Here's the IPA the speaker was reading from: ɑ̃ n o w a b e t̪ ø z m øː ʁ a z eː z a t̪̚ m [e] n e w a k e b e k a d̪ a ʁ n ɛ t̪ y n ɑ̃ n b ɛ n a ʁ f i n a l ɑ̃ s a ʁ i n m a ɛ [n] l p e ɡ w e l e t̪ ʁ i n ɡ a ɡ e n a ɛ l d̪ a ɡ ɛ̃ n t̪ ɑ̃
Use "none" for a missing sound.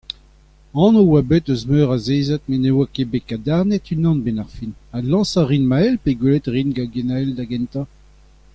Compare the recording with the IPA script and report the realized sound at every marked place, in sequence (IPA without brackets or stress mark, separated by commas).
e, none